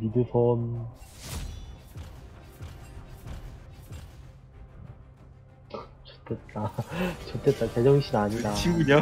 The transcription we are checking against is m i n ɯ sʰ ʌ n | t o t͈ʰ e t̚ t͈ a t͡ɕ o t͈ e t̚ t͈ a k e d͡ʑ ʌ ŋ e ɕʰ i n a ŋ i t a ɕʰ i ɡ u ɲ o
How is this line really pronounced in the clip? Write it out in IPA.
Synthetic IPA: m i d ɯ sʰ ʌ n | t͡ɕ o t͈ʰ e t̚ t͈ a t͡ɕ o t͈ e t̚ t͈ a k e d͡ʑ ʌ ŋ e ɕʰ i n a ɲ i d a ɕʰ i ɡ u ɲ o

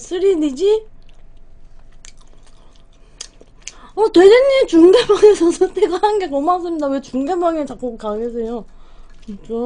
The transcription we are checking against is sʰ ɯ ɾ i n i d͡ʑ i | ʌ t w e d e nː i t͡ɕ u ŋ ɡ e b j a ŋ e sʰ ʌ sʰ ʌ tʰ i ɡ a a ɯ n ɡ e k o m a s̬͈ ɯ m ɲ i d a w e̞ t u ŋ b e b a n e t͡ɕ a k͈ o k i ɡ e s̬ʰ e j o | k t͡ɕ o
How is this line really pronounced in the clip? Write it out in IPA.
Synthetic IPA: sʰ ɯ ɾ i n i d͡ʑ i | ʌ t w e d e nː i t͡ɕ u ŋ ɡ e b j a ŋ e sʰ ʌ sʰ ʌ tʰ e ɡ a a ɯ n ɡ e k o m a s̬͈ ɯ m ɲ i d a w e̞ t͡ɕ u ŋ ɡ e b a ŋ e t͡ɕ a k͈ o k a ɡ e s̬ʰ e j o | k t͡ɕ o

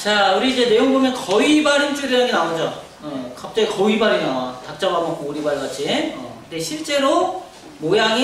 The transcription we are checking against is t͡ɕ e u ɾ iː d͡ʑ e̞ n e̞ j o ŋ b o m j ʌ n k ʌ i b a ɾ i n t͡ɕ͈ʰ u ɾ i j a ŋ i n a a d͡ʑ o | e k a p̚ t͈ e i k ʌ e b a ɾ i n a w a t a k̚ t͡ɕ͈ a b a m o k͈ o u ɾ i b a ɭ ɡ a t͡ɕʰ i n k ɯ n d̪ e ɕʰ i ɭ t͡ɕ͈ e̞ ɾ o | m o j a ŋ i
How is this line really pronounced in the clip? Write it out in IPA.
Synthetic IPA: t͡ɕ a u ɾ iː d͡ʑ e̞ n e̞ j o ŋ b o m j ʌ n k ʌ i b a ɾ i n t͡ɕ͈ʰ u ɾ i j a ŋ i n a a d͡ʑ o | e k a p̚ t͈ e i k ʌ i b a ɾ i n a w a t a k̚ t͡ɕ͈ a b a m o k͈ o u ɾ i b a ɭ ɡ a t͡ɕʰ i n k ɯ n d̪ e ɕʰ i ɭ t͡ɕ͈ e̞ ɾ o | m o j a ŋ i

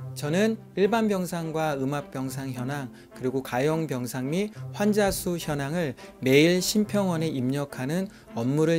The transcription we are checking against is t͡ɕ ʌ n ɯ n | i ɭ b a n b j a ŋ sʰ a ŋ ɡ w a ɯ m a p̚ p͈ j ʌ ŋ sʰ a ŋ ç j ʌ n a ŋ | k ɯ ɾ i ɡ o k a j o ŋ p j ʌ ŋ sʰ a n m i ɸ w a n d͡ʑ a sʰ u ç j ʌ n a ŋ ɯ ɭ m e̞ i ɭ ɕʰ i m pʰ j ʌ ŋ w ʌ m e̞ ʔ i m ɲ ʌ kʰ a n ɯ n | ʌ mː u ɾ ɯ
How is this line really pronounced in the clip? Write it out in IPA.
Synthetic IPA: t͡ɕ ʌ n ɯ n | i ɭ b a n b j ʌ ŋ sʰ a ŋ ɡ w a ɯ m a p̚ p͈ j ʌ ŋ sʰ a ŋ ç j ʌ n a ŋ | k ɯ ɾ i ɡ o k a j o ŋ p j ʌ ŋ sʰ a ŋ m i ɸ w a n d͡ʑ a sʰ u ç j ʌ n a ŋ ɯ ɭ m e̞ i ɭ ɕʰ i m pʰ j ʌ ŋ w ʌ n e̞ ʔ i m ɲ ʌ kʰ a n ɯ n | ʌ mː u ɾ ɯ

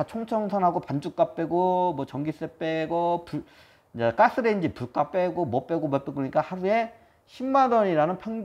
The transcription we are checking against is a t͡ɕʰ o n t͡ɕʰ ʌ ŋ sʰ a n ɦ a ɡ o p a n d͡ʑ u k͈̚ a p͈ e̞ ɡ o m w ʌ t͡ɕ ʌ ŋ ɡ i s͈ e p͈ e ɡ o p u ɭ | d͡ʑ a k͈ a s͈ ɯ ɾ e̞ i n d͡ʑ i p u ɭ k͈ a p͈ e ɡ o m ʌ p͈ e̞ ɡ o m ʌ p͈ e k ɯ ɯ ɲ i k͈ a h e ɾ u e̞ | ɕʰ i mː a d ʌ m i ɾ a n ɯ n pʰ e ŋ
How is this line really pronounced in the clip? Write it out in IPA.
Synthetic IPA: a t͡ɕʰ o ŋ t͡ɕʰ ʌ ŋ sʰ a n ɦ a ɡ o p a n d͡ʑ u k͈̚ a p͈ e̞ ɡ o m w ʌ t͡ɕ ʌ ŋ ɡ i s͈ e p͈ e ɡ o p u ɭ | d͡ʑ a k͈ a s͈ ɯ ɾ e̞ i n d͡ʑ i p u ɭ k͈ a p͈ e ɡ o m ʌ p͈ e̞ ɡ o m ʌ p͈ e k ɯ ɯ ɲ i k͈ a h a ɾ u e̞ | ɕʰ i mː a d ʌ ɲ i ɾ a n ɯ n pʰ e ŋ

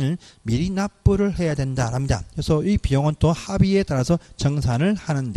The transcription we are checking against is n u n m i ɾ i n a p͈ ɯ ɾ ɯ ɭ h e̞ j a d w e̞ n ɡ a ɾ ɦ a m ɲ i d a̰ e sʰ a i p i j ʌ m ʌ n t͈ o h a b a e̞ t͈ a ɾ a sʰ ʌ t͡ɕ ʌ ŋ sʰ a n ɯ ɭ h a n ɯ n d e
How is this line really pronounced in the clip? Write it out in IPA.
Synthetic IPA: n ɯ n m i ɾ i n a p͈ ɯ ɾ ɯ ɭ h e̞ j a d w e̞ n d a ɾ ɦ a m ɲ i d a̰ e sʰ ʌ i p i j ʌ ŋ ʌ n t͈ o h a b i e̞ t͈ a ɾ a sʰ ʌ t͡ɕ ʌ ŋ sʰ a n ɯ ɭ h a n ɯ n d e

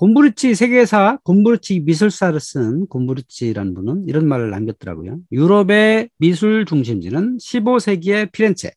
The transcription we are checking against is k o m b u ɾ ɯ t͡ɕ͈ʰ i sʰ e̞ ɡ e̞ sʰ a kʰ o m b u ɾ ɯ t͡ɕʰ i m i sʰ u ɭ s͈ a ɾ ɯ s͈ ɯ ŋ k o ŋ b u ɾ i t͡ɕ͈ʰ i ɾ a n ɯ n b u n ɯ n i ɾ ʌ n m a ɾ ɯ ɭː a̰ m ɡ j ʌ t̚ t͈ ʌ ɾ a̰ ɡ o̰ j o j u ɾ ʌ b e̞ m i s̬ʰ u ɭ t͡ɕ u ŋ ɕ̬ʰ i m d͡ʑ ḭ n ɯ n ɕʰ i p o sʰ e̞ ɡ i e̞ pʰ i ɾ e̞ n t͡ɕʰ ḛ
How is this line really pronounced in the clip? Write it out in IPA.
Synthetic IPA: k o m b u ɾ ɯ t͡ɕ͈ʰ i sʰ e̞ ɡ e̞ sʰ a k o m b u ɾ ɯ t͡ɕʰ i m i sʰ u ɭ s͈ a ɾ ɯ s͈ ɯ n k o m b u ɾ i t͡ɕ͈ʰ i ɾ a n ɯ n b u n ɯ n i ɾ ʌ n m a ɾ ɯ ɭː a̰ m ɡ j ʌ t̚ t͈ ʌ ɾ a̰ ɡ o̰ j o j u ɾ ʌ b e̞ m i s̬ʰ u ɭ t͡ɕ u ŋ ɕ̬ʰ i m d͡ʑ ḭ n ɯ n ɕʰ i b o sʰ e̞ ɡ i e̞ pʰ i ɾ e̞ n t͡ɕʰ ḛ

